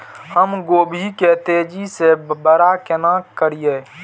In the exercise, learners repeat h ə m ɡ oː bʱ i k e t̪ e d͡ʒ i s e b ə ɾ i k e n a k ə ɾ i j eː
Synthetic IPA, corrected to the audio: h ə m ɡ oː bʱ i k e t̪ e d͡ʒ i s e b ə ɾ a k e n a k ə ɾ i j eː